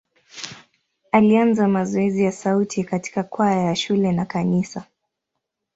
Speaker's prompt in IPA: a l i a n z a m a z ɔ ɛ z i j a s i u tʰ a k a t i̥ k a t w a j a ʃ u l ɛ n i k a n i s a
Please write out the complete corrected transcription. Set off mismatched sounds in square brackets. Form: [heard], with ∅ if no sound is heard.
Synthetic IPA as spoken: a l i a n z a m a z ɔ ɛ z i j a s [a] u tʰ [i] k a t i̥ k a [k] w a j a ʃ u l ɛ n [a] k a n i s a